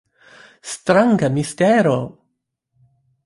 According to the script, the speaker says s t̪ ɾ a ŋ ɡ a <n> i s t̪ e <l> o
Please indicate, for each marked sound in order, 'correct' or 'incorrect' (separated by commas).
incorrect, incorrect